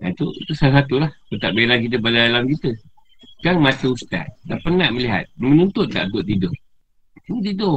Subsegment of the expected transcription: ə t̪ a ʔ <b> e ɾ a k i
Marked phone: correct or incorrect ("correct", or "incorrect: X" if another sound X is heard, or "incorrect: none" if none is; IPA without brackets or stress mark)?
correct